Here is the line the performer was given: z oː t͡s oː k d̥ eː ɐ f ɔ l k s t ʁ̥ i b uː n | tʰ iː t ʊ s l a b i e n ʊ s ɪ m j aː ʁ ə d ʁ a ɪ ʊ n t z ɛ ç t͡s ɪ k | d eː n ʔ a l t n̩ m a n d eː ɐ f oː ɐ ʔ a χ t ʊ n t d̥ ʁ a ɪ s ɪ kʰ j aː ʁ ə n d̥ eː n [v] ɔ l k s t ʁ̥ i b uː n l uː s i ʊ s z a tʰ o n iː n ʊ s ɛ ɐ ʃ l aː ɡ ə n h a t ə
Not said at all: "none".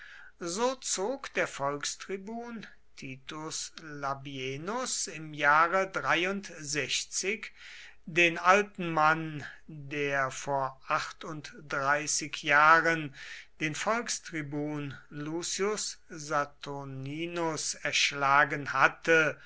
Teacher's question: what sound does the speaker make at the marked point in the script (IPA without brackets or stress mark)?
f